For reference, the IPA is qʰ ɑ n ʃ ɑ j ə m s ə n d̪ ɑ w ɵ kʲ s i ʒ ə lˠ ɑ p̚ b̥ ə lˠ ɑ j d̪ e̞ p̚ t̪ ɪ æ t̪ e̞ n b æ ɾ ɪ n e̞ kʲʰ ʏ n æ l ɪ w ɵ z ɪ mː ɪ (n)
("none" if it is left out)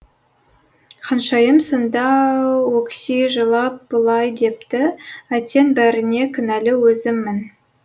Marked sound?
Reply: n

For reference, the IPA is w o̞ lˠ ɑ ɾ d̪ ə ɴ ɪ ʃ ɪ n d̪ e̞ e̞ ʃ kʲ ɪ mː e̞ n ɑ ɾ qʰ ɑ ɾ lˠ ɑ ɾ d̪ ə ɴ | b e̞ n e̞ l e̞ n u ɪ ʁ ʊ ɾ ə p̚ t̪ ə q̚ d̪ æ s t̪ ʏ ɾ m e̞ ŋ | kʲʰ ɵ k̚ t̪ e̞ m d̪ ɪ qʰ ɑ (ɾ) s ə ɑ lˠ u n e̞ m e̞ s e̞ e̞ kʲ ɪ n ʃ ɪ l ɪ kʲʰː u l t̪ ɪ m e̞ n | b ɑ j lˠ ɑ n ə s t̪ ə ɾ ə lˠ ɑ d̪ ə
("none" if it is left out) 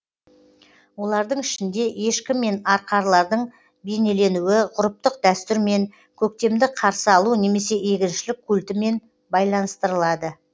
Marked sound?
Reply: ɾ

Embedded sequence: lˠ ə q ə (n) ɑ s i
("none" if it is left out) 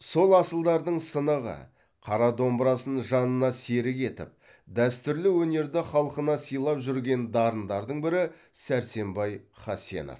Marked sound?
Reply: n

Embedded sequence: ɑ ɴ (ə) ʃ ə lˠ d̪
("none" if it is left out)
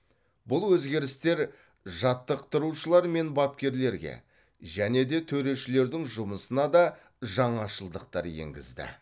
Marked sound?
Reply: ɑ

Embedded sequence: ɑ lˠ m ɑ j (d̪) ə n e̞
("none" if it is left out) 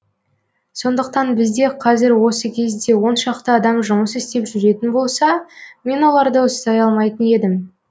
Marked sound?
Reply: t̪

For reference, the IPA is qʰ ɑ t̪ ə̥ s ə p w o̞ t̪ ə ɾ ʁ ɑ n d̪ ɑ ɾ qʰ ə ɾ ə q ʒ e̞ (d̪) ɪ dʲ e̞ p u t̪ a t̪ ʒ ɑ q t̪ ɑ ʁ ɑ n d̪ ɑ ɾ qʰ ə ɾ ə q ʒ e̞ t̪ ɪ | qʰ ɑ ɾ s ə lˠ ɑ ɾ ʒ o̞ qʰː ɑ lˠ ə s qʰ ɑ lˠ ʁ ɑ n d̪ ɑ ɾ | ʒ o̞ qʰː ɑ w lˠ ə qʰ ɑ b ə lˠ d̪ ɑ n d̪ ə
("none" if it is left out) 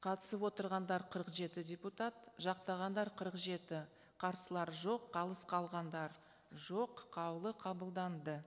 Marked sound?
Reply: t̪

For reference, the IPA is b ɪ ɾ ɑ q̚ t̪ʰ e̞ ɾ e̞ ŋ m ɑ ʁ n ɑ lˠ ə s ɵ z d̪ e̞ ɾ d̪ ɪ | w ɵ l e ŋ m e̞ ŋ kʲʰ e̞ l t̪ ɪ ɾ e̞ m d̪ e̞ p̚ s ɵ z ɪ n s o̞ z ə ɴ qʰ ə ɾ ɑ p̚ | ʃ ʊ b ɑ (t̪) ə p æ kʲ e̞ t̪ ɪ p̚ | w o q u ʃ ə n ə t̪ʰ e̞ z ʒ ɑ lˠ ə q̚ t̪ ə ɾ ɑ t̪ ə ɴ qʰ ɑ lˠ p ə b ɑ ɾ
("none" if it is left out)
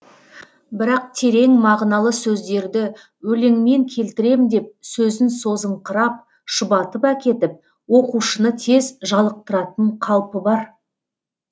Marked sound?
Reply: t̪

